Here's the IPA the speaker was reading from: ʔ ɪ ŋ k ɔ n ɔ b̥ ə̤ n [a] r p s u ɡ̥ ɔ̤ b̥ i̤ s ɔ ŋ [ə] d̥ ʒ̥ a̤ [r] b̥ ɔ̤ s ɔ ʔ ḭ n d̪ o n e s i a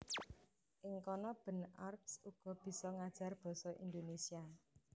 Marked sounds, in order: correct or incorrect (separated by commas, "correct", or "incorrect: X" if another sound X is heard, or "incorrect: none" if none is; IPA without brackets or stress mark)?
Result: correct, incorrect: a, correct